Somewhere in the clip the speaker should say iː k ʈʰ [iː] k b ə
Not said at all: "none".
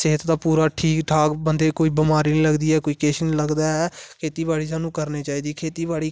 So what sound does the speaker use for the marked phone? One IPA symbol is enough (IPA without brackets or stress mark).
aː